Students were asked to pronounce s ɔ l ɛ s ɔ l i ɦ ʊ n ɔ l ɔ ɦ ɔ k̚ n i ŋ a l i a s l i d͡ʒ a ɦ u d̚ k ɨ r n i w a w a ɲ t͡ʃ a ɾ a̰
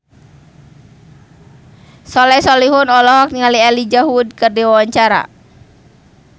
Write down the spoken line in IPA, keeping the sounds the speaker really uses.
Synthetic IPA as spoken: s ɔ l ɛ s ɔ l i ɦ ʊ n ɔ l ɔ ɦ ɔ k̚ n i ŋ a l i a l i d͡ʒ a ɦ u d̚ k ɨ r d i w a w a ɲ t͡ʃ a ɾ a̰